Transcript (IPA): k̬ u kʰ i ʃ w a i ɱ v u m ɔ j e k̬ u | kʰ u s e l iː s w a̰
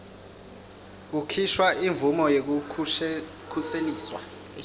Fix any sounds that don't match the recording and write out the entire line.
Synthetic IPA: k̬ u kʰ i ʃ w a i ɱ v u m ɔ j e k̬ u | kʰ u s e l iː s w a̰